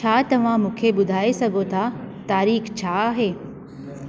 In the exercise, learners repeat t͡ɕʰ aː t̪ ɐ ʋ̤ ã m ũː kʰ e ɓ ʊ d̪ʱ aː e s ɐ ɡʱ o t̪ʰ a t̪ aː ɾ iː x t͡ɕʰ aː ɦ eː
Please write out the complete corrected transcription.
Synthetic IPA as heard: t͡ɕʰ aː t̪ ɐ ʋ̤ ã m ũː kʰ e ɓ ʊ d̪ʱ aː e s ɐ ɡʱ o t̪ʰ a t̪ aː ɾ iː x t͡ɕʰ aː ɦ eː